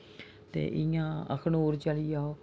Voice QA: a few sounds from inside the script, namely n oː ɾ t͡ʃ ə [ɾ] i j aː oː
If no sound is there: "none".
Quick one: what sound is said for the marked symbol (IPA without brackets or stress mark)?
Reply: l